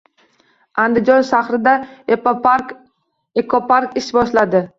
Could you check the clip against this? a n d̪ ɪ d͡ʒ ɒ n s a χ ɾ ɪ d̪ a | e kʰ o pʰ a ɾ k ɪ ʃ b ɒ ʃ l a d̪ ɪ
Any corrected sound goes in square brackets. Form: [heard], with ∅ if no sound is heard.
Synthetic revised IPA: a n d̪ ɪ d͡ʒ ɒ n [ʃ] a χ ɾ ɪ d̪ a | e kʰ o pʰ a ɾ k ɪ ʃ b ɒ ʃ l a d̪ ɪ